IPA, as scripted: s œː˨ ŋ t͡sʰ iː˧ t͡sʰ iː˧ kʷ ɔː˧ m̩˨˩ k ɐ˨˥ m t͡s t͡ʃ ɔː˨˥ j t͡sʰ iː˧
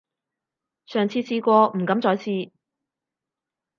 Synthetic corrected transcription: s œː˨ ŋ t͡sʰ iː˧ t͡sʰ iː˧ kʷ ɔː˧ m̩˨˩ k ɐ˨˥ m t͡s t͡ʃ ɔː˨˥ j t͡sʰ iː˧